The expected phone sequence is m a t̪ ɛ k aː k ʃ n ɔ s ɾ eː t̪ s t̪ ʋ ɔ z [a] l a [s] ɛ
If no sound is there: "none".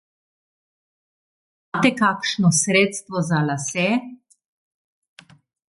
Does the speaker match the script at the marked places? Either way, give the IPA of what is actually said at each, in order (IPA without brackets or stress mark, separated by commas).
a, s